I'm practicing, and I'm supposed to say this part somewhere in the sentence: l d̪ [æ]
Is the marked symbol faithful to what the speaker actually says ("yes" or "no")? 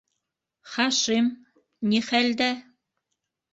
yes